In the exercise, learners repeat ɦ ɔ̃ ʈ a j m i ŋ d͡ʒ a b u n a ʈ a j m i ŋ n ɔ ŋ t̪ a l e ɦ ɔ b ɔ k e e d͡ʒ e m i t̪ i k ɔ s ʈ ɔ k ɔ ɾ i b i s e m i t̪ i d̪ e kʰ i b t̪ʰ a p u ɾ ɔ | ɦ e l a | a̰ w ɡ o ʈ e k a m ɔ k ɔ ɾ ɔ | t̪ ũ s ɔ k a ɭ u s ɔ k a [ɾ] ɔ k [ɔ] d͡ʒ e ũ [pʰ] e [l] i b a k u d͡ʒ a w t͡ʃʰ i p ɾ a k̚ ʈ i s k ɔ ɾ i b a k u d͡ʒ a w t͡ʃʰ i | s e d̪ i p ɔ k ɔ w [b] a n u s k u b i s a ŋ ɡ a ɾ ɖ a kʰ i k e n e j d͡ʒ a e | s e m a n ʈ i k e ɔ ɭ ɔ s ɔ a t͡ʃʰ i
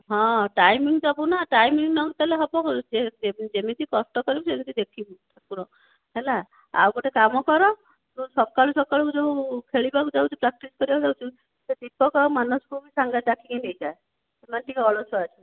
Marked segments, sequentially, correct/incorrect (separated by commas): incorrect, incorrect, incorrect, incorrect, incorrect